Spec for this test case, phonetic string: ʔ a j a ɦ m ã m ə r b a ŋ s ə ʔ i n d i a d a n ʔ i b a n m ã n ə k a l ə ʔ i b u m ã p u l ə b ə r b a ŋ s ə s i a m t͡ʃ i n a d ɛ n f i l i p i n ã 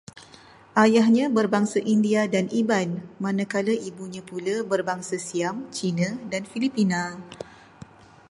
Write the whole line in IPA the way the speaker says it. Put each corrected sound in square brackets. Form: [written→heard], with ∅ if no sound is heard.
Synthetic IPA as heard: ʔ a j a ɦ [m→ɲ] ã [m→b] ə r b a ŋ s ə ʔ i n d i a d a n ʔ i b a n m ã n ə k a l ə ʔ i b u [m→ɲ] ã p u l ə b ə r b a ŋ s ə s i a m t͡ʃ i n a d [ɛ→a] n f i l i p i n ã